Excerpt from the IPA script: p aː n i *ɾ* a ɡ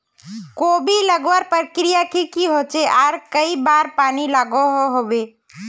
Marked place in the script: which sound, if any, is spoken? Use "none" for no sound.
l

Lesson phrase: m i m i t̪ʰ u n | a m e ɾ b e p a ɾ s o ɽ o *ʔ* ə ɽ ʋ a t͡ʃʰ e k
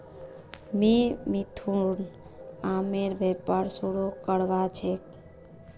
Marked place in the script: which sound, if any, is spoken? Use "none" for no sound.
k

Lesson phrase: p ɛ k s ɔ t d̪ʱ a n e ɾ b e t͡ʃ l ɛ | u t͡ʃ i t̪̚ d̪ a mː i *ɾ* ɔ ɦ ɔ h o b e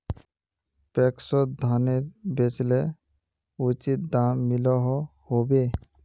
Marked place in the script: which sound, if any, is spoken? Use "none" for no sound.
l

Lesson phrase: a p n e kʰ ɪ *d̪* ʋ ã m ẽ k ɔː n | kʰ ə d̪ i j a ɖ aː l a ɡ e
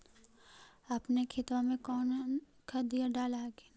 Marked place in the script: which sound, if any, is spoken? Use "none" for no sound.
t̪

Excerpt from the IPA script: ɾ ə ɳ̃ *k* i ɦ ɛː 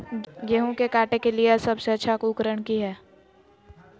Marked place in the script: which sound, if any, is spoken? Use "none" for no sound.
k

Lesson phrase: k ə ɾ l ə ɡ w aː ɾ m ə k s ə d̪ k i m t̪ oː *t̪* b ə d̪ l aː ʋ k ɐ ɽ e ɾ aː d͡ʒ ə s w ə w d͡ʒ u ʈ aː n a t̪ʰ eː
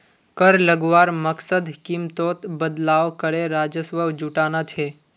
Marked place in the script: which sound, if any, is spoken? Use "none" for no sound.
t̪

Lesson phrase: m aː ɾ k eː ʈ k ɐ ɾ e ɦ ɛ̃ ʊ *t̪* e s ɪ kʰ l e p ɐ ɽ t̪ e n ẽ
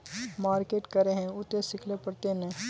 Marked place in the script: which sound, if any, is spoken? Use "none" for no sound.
t̪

